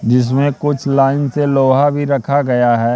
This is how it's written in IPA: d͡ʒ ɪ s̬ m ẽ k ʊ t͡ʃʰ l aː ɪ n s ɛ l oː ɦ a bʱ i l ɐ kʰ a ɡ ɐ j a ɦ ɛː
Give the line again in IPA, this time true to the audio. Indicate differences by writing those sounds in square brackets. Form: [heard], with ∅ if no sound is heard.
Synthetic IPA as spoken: d͡ʒ ɪ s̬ m ẽ k ʊ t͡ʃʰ l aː ɪ n s [e] l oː ɦ a bʱ i [ɾ] ɐ kʰ a ɡ ɐ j a ɦ ɛː